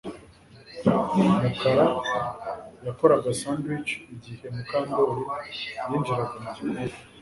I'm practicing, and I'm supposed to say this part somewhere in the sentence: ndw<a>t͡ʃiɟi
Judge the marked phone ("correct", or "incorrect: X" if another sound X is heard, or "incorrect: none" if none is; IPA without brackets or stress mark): incorrect: i